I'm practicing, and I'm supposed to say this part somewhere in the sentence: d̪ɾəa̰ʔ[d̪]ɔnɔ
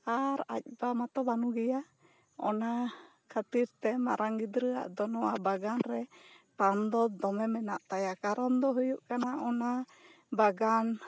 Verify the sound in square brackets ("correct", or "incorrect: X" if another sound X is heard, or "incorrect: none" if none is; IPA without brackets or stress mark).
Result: correct